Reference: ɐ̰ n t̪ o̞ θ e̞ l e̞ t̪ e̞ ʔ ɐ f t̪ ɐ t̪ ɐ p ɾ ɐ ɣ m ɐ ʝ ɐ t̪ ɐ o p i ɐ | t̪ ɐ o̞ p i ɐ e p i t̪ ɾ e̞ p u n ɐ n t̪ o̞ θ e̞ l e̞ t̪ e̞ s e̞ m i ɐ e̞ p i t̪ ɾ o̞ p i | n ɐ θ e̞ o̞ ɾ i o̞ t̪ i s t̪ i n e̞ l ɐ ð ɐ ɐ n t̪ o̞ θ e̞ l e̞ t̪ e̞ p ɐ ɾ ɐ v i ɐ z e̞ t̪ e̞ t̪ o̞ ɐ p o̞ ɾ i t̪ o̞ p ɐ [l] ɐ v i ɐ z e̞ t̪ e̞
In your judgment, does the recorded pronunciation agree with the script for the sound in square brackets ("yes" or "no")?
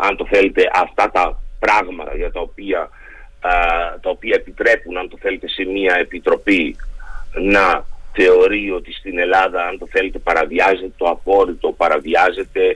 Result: no